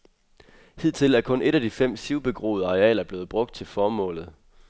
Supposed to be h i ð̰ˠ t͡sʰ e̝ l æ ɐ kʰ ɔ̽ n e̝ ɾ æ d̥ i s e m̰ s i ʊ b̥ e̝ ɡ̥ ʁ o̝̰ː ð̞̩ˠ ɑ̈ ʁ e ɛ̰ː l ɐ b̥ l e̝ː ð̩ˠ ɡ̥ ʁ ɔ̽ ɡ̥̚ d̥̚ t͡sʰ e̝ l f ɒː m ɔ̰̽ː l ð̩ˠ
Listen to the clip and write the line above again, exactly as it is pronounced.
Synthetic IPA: h i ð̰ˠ t͡sʰ e̝ l æ ɐ kʰ ɔ̽ n e̝ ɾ æ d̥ i f e m̰ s i ʊ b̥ e̝ ɡ̥ ʁ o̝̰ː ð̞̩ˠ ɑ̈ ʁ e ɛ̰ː l ɐ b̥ l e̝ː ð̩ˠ b̥ ʁ ɔ̽ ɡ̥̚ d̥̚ t͡sʰ e̝ l f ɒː m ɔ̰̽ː l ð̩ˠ